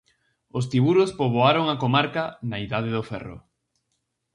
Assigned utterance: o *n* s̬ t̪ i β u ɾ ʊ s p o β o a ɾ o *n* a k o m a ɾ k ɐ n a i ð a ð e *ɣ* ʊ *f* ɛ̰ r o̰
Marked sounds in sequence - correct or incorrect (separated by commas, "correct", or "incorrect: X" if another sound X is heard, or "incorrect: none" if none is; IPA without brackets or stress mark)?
incorrect: none, incorrect: ŋ, incorrect: ð, correct